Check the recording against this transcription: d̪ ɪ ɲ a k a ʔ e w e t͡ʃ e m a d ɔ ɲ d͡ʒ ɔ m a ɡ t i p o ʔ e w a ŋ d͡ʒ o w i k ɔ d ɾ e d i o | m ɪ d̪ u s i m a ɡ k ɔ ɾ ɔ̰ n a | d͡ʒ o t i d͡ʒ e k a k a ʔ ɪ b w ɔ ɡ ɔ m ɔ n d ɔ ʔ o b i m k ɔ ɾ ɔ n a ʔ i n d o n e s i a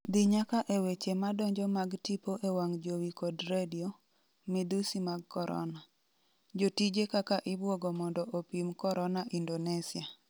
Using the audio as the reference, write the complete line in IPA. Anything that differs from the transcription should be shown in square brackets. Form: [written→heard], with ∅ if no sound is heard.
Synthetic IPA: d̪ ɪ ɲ a k a ʔ e w e t͡ʃ e m a d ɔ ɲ d͡ʒ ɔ m a ɡ t i p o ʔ e w a ŋ d͡ʒ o w i k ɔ d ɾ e d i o | m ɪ d̪ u s i m a ɡ k ɔ ɾ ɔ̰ n a | d͡ʒ o t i d͡ʒ e k a k a ʔ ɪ b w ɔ ɡ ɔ m ɔ n d ɔ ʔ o [b→p] i m k ɔ ɾ ɔ n a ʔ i n d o n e s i a